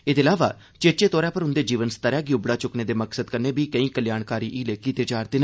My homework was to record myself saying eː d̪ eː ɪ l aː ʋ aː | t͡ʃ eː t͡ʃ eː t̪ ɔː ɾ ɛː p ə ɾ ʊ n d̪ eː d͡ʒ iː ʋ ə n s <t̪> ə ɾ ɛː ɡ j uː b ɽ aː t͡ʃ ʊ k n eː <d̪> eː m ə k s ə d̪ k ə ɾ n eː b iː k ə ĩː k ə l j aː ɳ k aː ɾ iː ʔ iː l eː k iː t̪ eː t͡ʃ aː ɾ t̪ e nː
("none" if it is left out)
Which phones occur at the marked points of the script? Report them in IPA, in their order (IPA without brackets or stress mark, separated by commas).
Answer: t̪, d̪